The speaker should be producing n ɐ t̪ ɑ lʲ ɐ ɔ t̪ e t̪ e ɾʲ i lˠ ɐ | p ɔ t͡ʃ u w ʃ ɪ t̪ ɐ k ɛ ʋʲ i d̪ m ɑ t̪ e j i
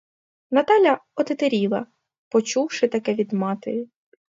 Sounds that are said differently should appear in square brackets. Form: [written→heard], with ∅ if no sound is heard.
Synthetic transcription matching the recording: n ɐ t̪ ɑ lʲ ɐ ɔ t̪ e t̪ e ɾʲ i lˠ ɐ | p ɔ t͡ʃ u w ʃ ɪ t̪ ɐ k ɛ ʋʲ i d̪ m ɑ t̪ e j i